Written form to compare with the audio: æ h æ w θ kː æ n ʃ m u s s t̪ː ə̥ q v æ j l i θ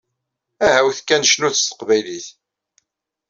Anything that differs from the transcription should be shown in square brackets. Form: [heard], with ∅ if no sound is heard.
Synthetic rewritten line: æ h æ w θ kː æ n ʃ [n] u [θ] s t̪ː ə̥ q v æ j l i θ